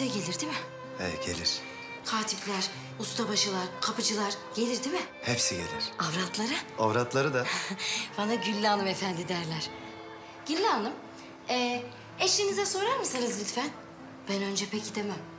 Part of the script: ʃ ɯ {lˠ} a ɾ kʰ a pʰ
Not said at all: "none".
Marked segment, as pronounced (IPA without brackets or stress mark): lˠ